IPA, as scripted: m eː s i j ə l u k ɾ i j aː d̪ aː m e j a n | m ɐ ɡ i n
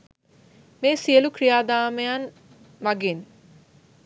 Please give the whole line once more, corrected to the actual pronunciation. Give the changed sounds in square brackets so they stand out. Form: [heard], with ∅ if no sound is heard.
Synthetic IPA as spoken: m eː s i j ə l u k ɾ i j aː d̪ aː m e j a n | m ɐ ɡ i n